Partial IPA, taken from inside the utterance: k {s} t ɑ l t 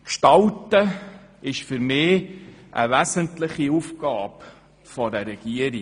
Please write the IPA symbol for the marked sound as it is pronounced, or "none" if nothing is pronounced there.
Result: ʃ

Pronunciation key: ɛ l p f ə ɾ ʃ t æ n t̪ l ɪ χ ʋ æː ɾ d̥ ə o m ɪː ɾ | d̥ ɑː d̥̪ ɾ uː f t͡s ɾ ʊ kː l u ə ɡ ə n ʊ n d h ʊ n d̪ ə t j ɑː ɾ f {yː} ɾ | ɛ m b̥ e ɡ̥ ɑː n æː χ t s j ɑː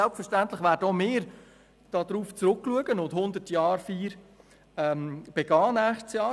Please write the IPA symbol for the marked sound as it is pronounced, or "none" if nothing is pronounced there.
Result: iː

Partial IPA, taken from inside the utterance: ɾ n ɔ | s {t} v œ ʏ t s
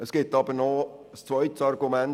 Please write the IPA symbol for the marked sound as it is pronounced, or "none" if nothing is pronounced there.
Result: t͡s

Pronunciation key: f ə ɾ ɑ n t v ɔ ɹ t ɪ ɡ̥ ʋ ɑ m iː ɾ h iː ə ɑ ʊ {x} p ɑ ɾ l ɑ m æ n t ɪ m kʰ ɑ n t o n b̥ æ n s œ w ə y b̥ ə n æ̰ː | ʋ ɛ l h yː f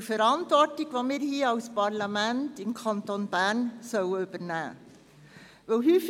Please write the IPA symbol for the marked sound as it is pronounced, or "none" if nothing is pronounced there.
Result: s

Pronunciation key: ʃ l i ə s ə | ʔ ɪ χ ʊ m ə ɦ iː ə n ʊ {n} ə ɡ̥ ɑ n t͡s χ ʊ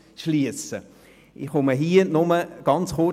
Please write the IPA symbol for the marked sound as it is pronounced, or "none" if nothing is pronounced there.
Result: m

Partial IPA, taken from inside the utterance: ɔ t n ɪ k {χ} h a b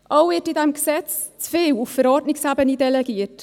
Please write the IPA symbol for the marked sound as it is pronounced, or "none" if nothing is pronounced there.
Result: s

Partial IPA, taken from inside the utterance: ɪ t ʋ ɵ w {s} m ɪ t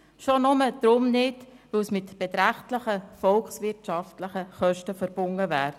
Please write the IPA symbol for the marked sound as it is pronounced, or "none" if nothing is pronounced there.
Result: s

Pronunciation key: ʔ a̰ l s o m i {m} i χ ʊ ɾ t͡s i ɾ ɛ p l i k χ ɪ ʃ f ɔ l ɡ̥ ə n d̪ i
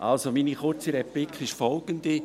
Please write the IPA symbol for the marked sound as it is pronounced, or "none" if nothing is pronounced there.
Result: n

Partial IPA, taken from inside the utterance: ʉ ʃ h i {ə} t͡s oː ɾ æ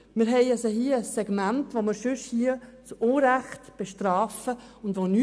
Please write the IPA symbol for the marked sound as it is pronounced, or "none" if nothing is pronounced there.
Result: ə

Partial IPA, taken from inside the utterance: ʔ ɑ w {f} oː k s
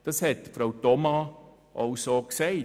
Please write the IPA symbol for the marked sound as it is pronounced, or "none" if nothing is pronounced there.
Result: s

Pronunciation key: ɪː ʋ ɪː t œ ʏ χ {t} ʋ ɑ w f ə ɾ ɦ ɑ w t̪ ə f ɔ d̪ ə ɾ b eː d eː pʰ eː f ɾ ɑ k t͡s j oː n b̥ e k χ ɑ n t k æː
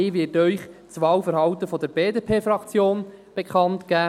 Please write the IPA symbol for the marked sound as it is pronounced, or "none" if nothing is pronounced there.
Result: t͡s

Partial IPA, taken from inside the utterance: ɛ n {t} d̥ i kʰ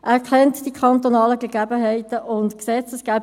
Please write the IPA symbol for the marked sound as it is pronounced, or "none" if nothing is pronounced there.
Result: t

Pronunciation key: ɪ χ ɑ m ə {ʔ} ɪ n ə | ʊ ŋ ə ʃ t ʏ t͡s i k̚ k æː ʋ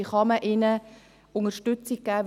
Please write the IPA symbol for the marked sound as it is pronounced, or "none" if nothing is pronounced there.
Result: ʔ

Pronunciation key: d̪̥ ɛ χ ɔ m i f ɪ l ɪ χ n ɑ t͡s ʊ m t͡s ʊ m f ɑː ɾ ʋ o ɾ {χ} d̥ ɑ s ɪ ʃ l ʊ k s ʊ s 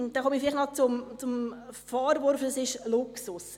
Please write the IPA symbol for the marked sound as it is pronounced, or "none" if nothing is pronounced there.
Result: f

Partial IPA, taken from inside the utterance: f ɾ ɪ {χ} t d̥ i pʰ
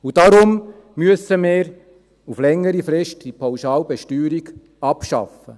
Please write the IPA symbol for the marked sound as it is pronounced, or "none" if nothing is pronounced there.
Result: ʃ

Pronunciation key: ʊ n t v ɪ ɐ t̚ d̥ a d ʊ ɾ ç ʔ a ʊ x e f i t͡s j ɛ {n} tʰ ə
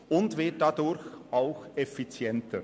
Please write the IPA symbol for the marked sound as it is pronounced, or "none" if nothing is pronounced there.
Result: n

